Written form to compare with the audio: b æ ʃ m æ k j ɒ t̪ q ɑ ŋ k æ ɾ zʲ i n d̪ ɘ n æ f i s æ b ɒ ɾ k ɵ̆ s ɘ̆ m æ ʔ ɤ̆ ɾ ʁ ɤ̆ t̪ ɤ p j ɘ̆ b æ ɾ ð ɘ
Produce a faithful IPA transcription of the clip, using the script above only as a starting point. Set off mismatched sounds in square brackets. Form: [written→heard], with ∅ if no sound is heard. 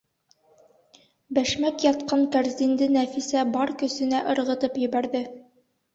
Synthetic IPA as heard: b æ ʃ m æ k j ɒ t̪ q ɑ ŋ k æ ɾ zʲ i n d̪ ɘ n æ f i s æ b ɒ ɾ k ɵ̆ s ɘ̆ [m→n] æ ʔ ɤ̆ ɾ ʁ ɤ̆ t̪ ɤ p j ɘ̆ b æ ɾ ð ɘ